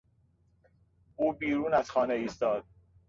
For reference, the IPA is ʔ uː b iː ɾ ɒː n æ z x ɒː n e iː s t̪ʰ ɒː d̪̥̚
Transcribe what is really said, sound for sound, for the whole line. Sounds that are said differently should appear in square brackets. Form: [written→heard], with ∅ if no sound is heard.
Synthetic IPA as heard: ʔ uː b iː ɾ [ɒː→uː] n æ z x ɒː n e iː s [t̪ʰ→t̪] ɒː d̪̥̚